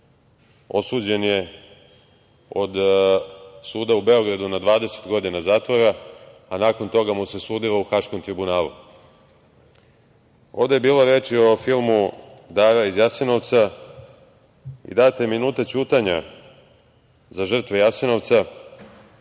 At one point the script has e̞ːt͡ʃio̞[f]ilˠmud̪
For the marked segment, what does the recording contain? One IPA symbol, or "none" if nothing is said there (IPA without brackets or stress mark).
f